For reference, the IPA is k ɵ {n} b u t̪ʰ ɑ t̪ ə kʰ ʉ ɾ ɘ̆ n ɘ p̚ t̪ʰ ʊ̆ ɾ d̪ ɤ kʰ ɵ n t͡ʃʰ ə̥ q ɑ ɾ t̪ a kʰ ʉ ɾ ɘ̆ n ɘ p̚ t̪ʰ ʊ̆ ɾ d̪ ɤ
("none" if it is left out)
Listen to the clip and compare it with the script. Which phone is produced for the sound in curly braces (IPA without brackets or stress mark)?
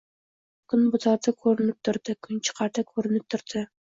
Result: n